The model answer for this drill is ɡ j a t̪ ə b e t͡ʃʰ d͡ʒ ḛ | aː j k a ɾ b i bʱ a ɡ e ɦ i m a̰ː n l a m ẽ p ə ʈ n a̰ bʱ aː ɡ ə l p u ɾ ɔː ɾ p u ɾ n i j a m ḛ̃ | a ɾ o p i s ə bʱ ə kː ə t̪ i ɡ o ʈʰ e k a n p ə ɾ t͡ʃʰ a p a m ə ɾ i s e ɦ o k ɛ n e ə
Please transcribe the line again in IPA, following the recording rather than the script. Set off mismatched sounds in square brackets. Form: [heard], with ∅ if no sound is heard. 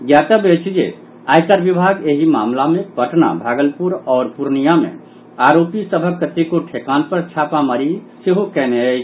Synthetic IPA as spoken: ɡ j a t̪ ə b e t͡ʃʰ d͡ʒ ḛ | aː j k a ɾ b i bʱ a ɡ e ɦ i m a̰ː [m] l a m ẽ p ə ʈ n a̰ bʱ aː ɡ ə l p u ɾ ɔː ɾ p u ɾ n i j a m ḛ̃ | a ɾ o p i s ə bʱ ə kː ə t̪ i [k] o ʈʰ e k a n p ə ɾ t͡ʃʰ a p a m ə ɾ i s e ɦ o k ɛ n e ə